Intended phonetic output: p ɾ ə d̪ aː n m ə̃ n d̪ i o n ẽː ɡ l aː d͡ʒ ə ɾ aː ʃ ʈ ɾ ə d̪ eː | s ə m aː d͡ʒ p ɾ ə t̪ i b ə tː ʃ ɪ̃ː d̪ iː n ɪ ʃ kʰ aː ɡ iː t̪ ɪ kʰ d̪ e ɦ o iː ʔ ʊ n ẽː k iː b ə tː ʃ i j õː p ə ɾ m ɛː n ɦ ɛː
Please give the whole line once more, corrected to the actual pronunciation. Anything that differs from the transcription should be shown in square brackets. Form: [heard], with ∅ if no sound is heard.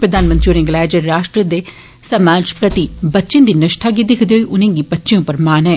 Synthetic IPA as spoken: p ɾ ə d̪ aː n m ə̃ n [t̪] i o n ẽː ɡ l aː d͡ʒ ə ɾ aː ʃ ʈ ɾ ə d̪ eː | s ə m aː d͡ʒ p ɾ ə t̪ i b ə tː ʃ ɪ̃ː d̪ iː n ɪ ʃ [ʈʰ] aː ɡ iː [d̪] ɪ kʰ d̪ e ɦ o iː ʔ ʊ n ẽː [ɡ] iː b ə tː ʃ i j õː p ə ɾ m [aː] n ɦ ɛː